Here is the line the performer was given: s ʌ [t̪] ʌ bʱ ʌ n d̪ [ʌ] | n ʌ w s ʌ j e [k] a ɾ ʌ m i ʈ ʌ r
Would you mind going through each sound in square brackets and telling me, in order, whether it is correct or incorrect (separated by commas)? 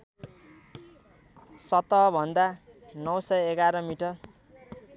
correct, incorrect, incorrect